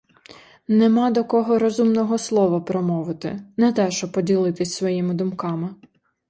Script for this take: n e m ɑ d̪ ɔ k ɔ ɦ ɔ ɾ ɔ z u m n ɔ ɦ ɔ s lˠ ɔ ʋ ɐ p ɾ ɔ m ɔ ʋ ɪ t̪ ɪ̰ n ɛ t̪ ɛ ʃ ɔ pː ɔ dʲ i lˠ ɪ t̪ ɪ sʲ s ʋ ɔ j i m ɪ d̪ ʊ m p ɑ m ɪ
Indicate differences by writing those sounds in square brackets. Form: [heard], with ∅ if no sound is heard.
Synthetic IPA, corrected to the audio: n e m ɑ d̪ ɔ k ɔ ɦ ɔ ɾ ɔ z u m n ɔ ɦ ɔ s lˠ ɔ ʋ ɐ p ɾ ɔ m ɔ ʋ ɪ t̪ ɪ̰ n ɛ t̪ ɛ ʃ ɔ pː ɔ dʲ i lˠ ɪ t̪ ɪ sʲ s ʋ ɔ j i m ɪ d̪ ʊ m [k] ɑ m ɪ